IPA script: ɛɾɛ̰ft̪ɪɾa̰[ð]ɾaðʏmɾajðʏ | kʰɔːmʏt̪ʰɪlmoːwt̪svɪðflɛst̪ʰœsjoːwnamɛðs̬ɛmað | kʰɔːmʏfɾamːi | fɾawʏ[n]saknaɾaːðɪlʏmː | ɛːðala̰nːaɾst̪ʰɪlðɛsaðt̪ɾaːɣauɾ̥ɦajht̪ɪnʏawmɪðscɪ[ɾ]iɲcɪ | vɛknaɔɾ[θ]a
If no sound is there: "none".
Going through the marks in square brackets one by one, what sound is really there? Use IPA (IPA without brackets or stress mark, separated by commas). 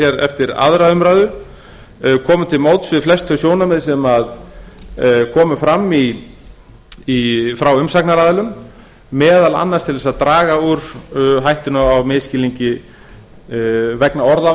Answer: ð, m, l, ð